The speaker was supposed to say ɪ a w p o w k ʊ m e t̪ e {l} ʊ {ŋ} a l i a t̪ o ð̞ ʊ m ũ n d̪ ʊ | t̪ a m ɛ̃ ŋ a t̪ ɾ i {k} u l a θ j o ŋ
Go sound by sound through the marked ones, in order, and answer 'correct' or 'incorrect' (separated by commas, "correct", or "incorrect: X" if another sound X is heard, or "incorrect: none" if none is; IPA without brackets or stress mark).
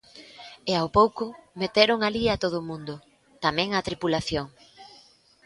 incorrect: ɾ, correct, incorrect: p